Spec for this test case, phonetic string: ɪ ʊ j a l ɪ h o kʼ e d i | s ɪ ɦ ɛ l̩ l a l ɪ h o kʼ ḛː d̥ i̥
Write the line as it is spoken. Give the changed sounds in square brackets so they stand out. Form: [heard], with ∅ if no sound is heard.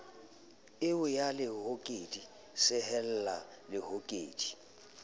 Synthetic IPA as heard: ɪ ʊ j a l ɪ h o kʼ e d i | s ɪ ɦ ɛ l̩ l a l ɪ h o kʼ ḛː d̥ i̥